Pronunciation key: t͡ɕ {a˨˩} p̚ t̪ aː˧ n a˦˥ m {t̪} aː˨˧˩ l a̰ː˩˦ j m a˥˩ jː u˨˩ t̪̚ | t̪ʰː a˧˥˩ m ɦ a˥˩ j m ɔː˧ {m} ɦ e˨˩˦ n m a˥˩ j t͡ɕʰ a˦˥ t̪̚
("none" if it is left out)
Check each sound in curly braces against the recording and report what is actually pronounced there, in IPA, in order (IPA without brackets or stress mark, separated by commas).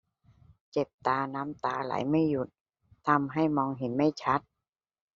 e˨˩, t̪, ŋ